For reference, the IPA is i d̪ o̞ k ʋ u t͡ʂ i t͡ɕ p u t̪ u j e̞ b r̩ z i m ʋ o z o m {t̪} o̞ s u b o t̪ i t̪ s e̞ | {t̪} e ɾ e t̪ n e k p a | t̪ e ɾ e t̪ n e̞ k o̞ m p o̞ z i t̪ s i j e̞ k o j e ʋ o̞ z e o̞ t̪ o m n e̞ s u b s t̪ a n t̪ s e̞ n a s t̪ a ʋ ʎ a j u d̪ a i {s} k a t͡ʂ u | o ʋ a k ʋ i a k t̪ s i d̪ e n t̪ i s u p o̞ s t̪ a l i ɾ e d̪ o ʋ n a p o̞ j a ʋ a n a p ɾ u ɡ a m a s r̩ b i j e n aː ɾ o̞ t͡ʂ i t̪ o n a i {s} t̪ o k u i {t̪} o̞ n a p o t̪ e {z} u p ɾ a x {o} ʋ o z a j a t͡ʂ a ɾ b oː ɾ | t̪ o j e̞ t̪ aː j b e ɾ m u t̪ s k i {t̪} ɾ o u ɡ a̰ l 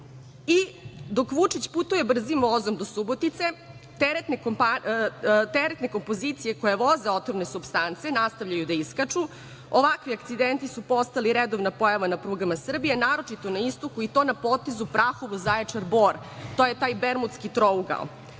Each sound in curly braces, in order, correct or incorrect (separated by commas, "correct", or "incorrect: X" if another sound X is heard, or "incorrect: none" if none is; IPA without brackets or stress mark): incorrect: d̪, correct, correct, correct, correct, correct, correct, correct